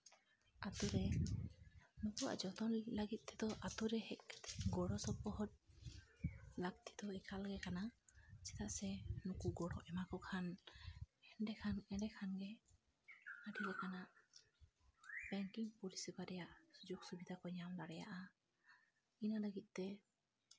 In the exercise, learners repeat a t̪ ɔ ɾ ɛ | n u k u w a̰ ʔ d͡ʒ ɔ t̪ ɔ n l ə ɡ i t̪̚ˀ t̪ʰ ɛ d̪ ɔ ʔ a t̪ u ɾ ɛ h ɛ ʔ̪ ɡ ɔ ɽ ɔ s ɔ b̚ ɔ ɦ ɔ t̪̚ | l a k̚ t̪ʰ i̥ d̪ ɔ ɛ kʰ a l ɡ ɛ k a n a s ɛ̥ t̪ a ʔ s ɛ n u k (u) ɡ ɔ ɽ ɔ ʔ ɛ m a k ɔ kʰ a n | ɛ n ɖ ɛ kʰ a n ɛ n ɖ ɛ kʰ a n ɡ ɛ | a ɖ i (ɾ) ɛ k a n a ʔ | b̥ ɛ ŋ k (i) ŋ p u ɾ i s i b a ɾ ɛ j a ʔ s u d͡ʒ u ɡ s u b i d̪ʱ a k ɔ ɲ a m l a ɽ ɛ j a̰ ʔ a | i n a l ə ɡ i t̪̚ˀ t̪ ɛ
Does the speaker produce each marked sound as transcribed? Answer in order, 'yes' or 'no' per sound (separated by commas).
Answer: yes, no, yes